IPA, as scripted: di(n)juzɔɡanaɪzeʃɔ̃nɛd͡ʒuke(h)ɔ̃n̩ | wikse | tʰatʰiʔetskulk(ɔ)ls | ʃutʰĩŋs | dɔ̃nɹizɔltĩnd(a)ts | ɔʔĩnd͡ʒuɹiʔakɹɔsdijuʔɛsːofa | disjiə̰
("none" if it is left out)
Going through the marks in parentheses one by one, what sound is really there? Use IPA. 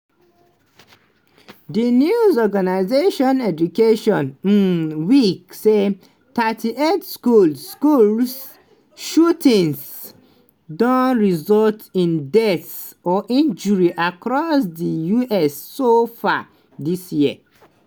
n, ʃ, u, ɛ

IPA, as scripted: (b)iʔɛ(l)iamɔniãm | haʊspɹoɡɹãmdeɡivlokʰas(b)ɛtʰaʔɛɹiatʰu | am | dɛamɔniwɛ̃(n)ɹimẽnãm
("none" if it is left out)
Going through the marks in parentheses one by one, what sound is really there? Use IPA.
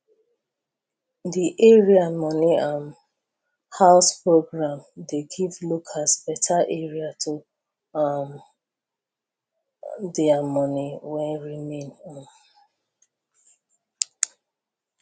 d, ɹ, b, n

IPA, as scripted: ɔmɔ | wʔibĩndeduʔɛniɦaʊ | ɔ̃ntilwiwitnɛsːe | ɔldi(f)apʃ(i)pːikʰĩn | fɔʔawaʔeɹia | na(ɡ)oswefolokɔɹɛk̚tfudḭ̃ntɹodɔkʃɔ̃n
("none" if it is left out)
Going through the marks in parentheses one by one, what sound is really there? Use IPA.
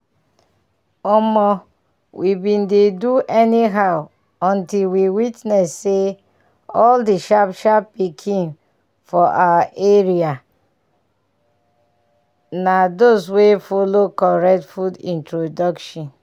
ʃ, a, d

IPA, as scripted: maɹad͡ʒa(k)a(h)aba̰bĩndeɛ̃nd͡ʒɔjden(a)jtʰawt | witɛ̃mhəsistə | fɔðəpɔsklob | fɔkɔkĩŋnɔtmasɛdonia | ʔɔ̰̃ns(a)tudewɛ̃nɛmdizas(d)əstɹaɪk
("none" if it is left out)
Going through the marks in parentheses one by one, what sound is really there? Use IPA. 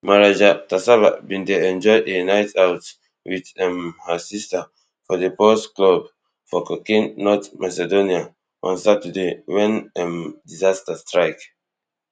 t, s, a, a, t

